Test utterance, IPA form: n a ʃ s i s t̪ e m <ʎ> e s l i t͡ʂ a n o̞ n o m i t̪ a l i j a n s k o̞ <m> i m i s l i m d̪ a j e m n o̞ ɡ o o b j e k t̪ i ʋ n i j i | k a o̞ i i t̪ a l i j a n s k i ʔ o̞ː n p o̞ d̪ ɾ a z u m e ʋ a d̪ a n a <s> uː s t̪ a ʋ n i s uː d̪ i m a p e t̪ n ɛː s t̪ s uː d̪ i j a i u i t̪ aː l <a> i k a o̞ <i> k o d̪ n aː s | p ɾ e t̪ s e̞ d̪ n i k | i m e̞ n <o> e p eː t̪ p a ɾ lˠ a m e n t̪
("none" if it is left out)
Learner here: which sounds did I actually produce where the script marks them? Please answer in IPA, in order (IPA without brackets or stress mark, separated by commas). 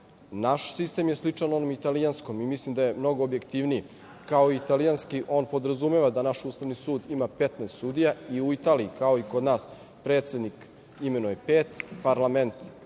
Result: j, m, ʃ, i, i, u